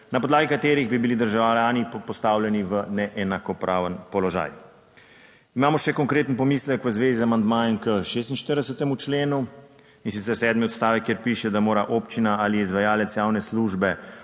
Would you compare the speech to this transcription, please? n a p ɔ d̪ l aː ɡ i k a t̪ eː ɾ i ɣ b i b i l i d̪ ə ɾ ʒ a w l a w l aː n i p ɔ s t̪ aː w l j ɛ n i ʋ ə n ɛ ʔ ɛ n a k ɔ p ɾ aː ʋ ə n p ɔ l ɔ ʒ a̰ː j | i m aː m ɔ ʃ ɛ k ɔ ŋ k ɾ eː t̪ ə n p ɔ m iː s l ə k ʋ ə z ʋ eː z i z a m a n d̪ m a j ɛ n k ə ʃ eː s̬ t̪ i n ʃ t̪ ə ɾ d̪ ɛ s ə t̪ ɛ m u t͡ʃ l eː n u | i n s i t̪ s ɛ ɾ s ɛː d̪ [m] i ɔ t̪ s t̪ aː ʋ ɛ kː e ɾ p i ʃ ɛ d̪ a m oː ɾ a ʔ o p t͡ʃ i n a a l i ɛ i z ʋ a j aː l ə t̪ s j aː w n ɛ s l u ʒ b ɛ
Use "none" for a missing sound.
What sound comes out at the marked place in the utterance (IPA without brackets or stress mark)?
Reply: m